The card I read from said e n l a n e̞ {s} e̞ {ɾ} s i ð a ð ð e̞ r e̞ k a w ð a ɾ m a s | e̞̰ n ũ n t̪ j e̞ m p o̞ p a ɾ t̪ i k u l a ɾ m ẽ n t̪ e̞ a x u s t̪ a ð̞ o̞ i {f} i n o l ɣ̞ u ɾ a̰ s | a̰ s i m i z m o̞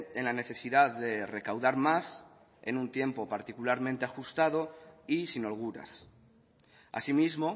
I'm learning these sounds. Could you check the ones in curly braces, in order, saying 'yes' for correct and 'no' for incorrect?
no, no, no

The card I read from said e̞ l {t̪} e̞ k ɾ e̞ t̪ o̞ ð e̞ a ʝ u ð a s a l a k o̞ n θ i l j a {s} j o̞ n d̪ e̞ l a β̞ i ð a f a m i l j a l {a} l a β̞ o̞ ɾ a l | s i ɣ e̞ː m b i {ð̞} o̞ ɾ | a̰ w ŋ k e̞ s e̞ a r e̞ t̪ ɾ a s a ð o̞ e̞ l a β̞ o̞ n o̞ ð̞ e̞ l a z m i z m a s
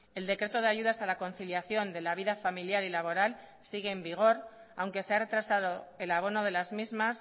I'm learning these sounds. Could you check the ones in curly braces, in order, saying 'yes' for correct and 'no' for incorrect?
no, no, no, no

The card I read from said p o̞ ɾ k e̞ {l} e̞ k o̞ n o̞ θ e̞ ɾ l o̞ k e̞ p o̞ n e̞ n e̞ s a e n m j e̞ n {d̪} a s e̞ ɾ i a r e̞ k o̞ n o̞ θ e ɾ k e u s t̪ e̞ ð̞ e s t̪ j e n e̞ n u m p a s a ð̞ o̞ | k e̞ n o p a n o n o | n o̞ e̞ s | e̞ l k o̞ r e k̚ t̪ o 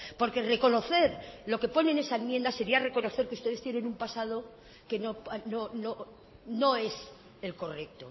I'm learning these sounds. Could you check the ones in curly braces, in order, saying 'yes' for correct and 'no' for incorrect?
no, yes

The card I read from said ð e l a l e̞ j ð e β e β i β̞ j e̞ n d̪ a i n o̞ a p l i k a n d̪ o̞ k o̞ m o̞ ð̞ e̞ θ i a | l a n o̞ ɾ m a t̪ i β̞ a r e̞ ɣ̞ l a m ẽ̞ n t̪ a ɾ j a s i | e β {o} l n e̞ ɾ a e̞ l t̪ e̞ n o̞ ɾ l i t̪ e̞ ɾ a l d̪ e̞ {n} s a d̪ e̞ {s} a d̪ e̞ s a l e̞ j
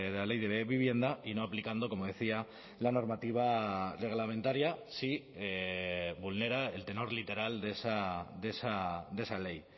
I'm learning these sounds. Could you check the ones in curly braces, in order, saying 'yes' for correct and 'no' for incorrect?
no, no, yes

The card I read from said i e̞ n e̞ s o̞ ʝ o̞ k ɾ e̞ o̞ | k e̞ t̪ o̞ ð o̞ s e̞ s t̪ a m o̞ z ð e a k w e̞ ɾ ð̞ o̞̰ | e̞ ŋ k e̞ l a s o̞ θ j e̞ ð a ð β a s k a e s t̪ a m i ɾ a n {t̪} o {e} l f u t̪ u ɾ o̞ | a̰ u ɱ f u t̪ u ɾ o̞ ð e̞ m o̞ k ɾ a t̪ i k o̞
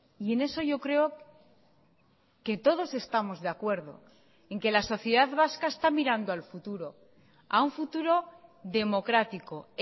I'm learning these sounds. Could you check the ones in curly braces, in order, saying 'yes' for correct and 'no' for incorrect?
no, no

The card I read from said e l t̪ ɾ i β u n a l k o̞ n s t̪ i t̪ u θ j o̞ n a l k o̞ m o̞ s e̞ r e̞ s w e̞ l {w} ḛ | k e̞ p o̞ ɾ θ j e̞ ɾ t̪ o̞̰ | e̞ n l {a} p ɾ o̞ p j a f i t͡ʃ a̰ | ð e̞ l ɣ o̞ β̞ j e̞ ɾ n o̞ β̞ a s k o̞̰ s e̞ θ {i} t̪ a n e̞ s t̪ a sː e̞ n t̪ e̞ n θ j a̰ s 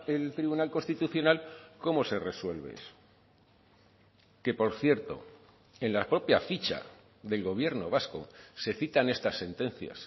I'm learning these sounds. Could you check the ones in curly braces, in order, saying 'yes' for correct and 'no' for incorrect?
no, yes, yes

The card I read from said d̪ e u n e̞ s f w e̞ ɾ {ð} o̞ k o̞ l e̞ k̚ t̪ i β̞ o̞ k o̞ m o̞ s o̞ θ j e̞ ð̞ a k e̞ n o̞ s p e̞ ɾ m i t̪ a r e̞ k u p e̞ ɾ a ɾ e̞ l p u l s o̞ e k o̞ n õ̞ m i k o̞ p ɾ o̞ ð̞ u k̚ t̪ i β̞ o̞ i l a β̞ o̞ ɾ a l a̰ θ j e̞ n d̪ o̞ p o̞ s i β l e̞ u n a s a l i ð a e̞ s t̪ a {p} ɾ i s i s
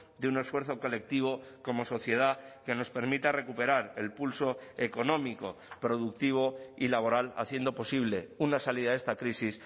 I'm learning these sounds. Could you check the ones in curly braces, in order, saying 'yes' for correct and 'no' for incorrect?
no, no

